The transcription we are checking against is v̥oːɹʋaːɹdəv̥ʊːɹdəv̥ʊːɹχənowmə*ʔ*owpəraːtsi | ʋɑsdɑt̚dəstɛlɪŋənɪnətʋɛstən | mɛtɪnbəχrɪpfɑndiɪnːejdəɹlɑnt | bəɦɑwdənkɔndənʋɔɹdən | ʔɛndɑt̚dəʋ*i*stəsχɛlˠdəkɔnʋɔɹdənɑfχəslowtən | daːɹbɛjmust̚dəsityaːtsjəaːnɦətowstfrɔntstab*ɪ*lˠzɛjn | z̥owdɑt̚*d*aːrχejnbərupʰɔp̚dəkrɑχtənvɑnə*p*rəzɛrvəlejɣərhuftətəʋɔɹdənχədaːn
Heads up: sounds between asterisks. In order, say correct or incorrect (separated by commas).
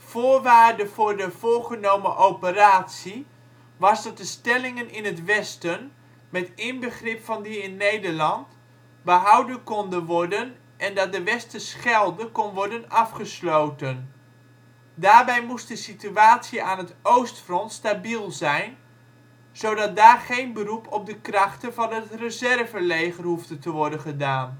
correct, incorrect, incorrect, correct, incorrect